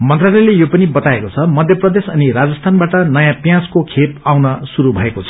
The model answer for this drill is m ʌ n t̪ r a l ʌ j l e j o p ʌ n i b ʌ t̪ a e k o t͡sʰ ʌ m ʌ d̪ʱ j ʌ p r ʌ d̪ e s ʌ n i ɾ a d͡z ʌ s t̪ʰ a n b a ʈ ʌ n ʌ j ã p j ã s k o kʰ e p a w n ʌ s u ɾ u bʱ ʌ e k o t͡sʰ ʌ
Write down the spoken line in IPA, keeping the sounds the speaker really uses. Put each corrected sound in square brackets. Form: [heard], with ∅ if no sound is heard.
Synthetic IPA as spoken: m ʌ n t̪ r a l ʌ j l e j o p ʌ n i b ʌ t̪ a e k o t͡sʰ ʌ m ʌ d̪ʱ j ʌ p r ʌ d̪ e s ʌ n i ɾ a d͡z ʌ s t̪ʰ a n b a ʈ ʌ n ʌ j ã p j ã s k o kʰ e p a w n ʌ s u ɾ u bʱ ʌ e k o t͡sʰ ʌ

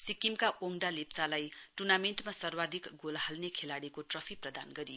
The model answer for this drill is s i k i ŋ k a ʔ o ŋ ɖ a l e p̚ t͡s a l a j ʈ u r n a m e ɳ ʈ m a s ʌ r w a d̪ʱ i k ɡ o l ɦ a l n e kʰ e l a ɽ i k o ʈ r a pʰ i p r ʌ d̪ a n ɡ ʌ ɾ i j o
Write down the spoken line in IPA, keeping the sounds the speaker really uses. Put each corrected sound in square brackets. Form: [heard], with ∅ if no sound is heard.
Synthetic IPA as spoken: s i k i [m] k a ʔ o ŋ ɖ a l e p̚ t͡s a l a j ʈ u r n a m e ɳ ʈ m a s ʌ r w a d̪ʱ i k ɡ o l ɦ a l n e kʰ e l a ɽ i k o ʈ r [ʌ] pʰ i p r ʌ d̪ a n ɡ ʌ ɾ i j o

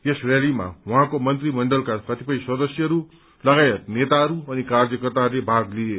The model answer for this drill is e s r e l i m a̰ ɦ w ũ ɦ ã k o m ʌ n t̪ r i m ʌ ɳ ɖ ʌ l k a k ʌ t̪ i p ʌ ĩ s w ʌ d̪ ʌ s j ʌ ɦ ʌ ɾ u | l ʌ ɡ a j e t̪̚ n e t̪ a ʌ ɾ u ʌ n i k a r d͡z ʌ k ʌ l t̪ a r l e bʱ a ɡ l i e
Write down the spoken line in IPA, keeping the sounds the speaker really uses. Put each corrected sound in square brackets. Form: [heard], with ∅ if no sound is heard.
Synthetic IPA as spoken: e s r e l i m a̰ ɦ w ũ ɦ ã k o m ʌ n t̪ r i m ʌ ɳ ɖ ʌ l k a k ʌ t̪ i p ʌ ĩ s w ʌ d̪ ʌ s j ʌ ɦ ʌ ɾ u | l ʌ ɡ a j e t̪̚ n e t̪ a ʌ ɾ u ʌ n i k a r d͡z ʌ k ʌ [r] t̪ a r l e bʱ a ɡ l i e

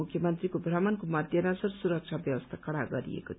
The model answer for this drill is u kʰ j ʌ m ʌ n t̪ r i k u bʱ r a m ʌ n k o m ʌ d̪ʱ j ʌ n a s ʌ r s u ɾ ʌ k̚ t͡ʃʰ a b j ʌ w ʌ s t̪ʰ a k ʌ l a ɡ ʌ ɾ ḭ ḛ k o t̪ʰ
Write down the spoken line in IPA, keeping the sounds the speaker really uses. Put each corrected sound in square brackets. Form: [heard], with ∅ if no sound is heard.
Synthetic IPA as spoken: u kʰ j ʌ m ʌ n t̪ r i k [o] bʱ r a m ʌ n k o m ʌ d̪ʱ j ʌ n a s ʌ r s u ɾ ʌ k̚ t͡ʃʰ a b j ʌ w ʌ s t̪ʰ a k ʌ [ɽ] a ɡ ʌ ɾ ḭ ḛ k o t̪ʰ

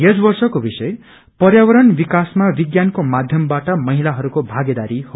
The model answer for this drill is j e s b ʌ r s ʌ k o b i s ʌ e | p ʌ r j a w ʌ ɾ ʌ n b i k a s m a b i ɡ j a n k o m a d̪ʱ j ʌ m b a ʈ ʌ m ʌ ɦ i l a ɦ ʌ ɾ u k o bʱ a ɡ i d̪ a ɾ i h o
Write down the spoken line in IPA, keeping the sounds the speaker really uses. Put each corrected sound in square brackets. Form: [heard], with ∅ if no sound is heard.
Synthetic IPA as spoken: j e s b ʌ r s ʌ k o b i s ʌ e | p ʌ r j a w ʌ ɾ ʌ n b i k a s m a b i ɡ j a n k o m a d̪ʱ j ʌ m b a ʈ ʌ m ʌ ɦ i l a ɦ ʌ ɾ u k o bʱ a ɡ [e] d̪ a ɾ i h o

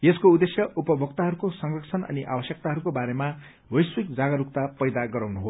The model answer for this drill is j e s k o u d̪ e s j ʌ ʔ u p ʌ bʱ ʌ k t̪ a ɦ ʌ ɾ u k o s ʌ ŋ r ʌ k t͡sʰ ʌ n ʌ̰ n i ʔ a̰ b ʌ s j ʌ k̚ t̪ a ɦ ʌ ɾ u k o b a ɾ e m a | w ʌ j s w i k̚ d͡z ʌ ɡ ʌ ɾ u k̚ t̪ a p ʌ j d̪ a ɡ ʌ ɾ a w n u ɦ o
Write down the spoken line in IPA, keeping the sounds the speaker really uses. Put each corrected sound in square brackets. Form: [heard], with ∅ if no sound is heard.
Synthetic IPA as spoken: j e s k o u d̪ e s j ʌ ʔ u p ʌ bʱ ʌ k t̪ a ɦ ʌ ɾ u k o s ʌ ŋ r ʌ k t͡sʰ ʌ n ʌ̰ n i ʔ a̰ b ʌ s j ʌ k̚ t̪ a ɦ ʌ ɾ u k o b a ɾ e m a | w ʌ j s w i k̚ d͡z [a] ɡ ʌ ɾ u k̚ t̪ a p ʌ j d̪ a ɡ ʌ ɾ a w n u ɦ o

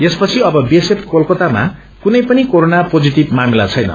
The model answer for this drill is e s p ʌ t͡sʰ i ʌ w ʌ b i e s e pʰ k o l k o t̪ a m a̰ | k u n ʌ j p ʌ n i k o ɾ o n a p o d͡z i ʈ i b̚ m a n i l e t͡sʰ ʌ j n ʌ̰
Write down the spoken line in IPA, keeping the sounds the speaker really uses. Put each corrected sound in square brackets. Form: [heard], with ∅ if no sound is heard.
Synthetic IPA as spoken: e s p ʌ t͡sʰ i ʌ [b] ʌ b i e s e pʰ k o l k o t̪ a m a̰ | k u n ʌ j p ʌ n i k o ɾ o n a p o d͡z i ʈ i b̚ m a [m] i l [a] t͡sʰ ʌ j n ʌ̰

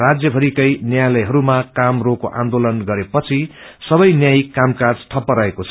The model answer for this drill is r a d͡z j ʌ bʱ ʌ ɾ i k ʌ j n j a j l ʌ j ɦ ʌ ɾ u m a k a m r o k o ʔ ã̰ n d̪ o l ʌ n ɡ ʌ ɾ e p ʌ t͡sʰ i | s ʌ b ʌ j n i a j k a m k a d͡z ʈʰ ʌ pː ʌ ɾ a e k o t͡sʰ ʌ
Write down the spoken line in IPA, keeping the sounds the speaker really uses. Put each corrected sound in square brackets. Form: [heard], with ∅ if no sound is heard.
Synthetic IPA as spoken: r a d͡z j ʌ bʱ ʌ ɾ i k ʌ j n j a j l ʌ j ɦ ʌ ɾ u m a k a m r o k o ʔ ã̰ n d̪ o l ʌ n ɡ ʌ ɾ e p ʌ t͡sʰ i | s ʌ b ʌ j n [j] a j k a m k a d͡z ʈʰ ʌ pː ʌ ɾ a e k o t͡sʰ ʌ

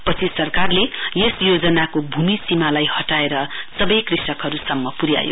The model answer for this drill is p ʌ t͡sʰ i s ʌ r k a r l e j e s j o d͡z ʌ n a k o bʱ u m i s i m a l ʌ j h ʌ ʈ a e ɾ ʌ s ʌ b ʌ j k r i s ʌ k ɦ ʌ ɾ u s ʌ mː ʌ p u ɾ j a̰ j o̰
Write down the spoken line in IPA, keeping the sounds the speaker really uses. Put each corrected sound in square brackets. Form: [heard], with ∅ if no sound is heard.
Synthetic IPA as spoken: p ʌ t͡sʰ i s ʌ r k a r l e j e s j o d͡z ʌ n a k o bʱ u m i s i m a l [a] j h ʌ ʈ a e ɾ ʌ s ʌ b ʌ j k r i s ʌ k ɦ ʌ ɾ u s ʌ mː ʌ p u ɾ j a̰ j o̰

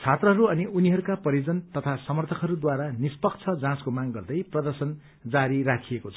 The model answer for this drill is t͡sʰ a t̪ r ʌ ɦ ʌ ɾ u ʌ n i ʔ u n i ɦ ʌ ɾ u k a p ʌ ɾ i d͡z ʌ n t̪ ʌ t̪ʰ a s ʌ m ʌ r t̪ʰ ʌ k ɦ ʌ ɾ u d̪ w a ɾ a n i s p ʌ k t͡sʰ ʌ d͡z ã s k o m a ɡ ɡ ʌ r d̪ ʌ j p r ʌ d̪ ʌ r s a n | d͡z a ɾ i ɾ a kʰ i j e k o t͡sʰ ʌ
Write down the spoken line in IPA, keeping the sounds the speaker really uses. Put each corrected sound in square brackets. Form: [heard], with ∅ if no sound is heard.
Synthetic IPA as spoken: t͡sʰ a t̪ r ʌ ɦ ʌ ɾ u ʌ n i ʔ u n i ɦ ʌ ɾ u k a p ʌ ɾ i d͡z ʌ n t̪ ʌ t̪ʰ a s ʌ m ʌ r t̪ʰ ʌ k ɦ ʌ ɾ u d̪ w a ɾ a n i s p ʌ k t͡sʰ ʌ d͡z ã s k o m a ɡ ɡ ʌ r d̪ ʌ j p r ʌ d̪ ʌ r s [ʌ] n | d͡z a ɾ i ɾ a kʰ i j e k o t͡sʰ ʌ

